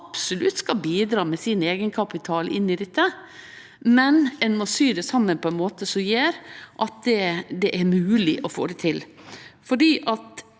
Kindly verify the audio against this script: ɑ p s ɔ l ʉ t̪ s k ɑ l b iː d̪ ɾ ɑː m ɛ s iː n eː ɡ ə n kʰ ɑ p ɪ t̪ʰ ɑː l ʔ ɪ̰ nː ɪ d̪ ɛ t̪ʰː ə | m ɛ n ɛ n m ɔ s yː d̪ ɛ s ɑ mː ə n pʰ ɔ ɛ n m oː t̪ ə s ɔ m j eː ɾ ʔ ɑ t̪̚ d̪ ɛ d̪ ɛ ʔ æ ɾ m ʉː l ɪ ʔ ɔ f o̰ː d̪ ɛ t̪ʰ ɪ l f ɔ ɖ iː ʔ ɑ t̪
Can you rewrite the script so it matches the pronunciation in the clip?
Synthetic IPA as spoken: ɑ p s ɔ l ʉ t̪ s k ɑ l b iː d̪ ɾ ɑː m ɛ s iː n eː ɡ ə n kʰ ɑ p ɪ t̪ʰ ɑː l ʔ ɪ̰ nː ɪ d̪ ɛ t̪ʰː ə | m ɛ n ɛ n m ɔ s yː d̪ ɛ s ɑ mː ə n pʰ ɔ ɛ n m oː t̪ ə s ɔ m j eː ɾ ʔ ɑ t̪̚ d̪ ɛ d̪ ɛ ʔ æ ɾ m ʉː l ɪ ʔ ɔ f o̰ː d̪ ɛ t̪ʰ ɪ l f ɔ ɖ iː ʔ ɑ t̪